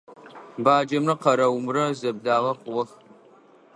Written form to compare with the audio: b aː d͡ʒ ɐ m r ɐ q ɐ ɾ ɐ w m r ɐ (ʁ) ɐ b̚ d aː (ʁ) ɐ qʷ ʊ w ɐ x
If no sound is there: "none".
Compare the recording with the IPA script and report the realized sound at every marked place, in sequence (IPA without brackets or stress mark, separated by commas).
z, ʁ